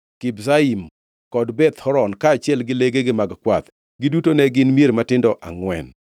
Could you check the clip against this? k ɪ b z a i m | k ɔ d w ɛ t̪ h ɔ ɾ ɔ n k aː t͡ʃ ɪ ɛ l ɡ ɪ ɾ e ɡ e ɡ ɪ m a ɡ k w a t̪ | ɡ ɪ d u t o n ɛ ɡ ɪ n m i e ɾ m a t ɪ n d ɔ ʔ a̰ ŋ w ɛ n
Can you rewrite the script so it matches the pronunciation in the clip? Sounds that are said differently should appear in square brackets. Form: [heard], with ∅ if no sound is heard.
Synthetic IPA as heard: k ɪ b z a i m | k ɔ d [b] ɛ t̪ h ɔ ɾ ɔ n k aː t͡ʃ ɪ ɛ l ɡ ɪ [l] e ɡ e ɡ ɪ m a ɡ k w a t̪ | ɡ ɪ d u t o n ɛ ɡ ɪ n m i e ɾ m a t ɪ n d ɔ ʔ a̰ ŋ w ɛ n